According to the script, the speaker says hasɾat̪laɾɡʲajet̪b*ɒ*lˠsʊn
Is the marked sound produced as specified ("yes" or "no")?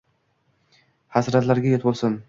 no